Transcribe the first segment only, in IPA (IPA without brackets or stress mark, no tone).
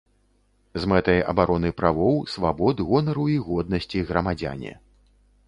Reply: z